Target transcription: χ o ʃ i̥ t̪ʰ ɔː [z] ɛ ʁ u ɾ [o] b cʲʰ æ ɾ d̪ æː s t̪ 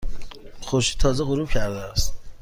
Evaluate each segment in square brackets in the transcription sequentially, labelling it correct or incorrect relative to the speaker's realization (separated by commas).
correct, incorrect